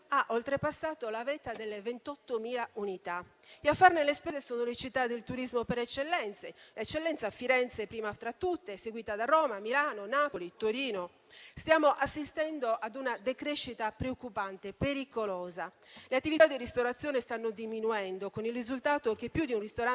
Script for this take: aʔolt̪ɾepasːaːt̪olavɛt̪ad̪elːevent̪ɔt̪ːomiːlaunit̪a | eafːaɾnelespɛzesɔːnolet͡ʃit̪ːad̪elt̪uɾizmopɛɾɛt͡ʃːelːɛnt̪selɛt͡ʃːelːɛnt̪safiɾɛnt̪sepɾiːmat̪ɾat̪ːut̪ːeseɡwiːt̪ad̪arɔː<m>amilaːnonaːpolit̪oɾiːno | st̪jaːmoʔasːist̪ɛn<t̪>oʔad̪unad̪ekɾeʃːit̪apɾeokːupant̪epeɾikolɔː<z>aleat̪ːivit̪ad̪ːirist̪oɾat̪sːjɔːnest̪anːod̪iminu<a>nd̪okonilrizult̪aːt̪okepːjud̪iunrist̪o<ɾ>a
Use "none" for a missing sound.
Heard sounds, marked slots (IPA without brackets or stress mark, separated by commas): m, d̪, z, ɛ, ɾ